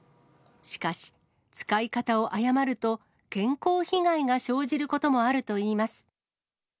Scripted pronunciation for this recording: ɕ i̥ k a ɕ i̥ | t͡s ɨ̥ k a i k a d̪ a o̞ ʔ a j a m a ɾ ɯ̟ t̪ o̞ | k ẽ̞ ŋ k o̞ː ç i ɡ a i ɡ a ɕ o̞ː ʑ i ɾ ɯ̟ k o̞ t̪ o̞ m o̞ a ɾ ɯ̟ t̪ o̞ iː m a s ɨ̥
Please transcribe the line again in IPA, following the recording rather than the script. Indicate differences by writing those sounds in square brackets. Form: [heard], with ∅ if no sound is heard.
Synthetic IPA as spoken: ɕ i̥ k a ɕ i̥ | t͡s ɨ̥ k a i k a [t̪] a o̞ ʔ a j a m a ɾ ɯ̟ t̪ o̞ | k ẽ̞ ŋ k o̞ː ç i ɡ a i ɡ a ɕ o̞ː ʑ i ɾ ɯ̟ k o̞ t̪ o̞ m o̞ a ɾ ɯ̟ t̪ o̞ iː m a s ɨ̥